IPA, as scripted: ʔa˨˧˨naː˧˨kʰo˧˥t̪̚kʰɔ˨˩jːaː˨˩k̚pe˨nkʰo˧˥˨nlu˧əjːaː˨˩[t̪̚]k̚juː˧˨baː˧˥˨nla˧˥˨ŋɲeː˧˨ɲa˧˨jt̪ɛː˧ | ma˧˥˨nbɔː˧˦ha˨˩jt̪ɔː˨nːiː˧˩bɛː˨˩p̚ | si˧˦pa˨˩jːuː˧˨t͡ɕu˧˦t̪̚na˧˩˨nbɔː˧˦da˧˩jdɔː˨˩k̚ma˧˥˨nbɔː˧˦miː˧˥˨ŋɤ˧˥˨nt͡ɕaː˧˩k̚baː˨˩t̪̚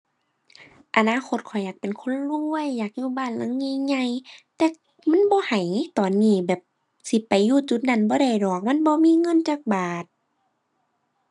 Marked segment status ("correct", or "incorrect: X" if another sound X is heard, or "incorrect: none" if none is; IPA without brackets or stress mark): incorrect: none